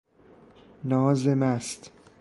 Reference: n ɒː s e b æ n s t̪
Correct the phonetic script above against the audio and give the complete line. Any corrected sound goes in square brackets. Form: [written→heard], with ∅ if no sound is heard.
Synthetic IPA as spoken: n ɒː [s→z] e [b→m] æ [n→∅] s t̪